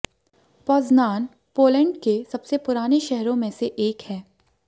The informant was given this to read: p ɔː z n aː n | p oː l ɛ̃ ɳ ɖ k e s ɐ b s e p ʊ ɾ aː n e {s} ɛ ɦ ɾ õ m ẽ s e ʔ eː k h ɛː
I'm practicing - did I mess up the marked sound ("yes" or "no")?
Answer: yes